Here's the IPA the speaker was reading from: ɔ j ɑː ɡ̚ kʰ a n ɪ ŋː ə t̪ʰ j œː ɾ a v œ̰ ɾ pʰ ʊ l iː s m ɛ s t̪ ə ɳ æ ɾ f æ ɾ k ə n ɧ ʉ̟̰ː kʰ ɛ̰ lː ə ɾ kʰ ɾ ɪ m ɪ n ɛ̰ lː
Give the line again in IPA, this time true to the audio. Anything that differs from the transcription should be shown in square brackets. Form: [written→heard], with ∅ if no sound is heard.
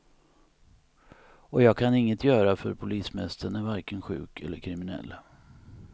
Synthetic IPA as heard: ɔ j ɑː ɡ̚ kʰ a n ɪ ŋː ə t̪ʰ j œː ɾ a [v→f] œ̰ ɾ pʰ ʊ l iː s m ɛ s t̪ ə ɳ æ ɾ [f→v] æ ɾ k ə n ɧ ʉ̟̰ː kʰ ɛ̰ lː ə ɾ kʰ ɾ ɪ m ɪ n ɛ̰ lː